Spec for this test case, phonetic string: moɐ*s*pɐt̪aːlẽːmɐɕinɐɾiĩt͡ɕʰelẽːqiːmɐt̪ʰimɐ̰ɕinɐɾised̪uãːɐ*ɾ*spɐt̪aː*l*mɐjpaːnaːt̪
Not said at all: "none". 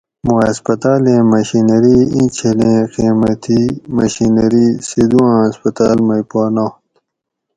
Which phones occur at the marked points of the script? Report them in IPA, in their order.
s, none, l

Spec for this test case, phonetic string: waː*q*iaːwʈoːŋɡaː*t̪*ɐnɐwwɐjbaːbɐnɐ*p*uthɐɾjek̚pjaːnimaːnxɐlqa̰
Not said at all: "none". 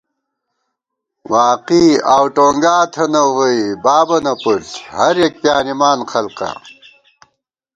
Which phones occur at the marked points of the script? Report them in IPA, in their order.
q, t̪ʰ, p

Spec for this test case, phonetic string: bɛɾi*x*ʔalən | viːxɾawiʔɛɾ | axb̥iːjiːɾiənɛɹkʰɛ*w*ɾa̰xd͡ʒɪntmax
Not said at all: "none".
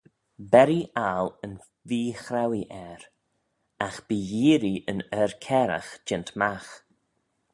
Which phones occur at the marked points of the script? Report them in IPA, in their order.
none, none

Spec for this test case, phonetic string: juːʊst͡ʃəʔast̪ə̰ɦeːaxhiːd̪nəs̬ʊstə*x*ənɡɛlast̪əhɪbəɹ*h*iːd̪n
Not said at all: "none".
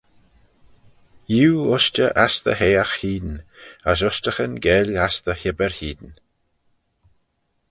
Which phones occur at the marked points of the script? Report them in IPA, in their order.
x, h

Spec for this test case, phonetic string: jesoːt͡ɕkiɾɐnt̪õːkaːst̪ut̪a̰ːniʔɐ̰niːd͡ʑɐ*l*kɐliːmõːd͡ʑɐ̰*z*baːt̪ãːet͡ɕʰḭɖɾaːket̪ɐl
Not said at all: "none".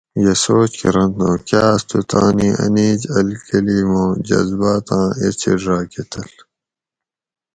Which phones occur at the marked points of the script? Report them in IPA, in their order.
l, z

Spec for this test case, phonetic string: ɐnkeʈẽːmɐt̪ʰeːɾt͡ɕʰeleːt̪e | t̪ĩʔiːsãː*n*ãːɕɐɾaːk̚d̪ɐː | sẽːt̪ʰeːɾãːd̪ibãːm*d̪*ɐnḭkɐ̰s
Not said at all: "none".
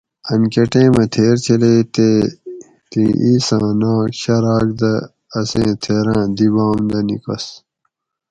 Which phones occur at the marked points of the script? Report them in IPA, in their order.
n, d̪

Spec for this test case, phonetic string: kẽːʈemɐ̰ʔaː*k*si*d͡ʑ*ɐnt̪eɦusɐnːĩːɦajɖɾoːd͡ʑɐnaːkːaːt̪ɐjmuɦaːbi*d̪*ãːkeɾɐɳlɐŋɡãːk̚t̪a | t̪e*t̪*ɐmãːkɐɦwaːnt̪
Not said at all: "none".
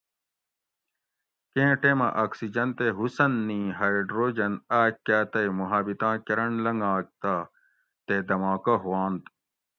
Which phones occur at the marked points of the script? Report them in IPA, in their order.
k, d͡ʑ, t̪, d̪

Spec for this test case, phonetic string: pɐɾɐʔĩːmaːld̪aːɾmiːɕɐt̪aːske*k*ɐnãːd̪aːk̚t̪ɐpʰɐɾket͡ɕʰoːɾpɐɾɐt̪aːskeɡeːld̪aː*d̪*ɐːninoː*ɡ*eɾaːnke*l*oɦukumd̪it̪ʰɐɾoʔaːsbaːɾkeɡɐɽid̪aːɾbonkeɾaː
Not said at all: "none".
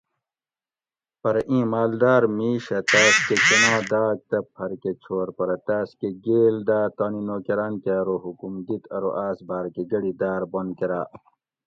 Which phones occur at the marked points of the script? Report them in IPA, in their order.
k, t̪, k, ɾ

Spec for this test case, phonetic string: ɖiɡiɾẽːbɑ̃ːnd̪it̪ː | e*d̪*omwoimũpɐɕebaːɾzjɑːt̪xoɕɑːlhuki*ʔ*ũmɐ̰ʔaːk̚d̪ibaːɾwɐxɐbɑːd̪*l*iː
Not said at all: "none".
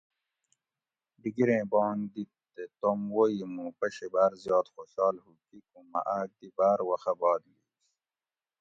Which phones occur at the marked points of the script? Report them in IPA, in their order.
t̪, k, l

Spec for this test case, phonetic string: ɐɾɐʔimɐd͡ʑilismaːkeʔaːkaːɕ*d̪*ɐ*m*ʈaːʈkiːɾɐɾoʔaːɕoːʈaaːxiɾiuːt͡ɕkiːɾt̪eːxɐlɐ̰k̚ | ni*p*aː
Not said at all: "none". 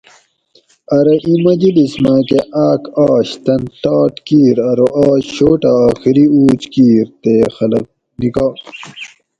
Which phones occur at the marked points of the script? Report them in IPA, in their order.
t̪, n, k

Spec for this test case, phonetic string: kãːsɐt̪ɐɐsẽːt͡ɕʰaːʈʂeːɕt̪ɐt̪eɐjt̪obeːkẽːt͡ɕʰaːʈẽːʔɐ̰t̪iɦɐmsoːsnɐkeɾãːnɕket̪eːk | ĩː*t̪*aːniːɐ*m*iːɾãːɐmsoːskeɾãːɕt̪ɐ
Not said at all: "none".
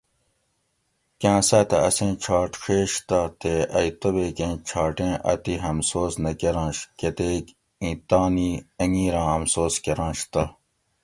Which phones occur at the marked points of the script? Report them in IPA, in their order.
t̪, ŋ

